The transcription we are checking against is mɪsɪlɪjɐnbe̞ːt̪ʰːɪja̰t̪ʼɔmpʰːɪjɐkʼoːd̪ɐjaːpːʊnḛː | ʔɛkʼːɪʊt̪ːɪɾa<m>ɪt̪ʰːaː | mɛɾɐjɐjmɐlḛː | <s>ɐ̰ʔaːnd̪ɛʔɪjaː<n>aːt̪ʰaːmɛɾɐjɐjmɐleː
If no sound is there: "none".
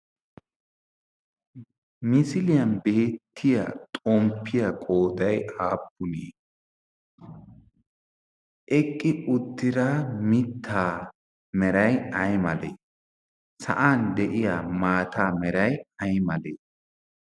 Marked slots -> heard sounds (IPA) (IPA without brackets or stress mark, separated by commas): m, s, m